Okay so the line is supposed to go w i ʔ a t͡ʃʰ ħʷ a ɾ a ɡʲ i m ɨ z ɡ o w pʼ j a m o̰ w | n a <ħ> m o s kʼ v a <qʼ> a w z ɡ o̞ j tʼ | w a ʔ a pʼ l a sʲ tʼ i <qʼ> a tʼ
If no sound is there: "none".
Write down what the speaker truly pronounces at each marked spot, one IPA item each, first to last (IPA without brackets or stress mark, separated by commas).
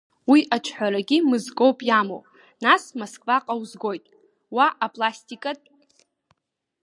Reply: s, qʼ, kʼ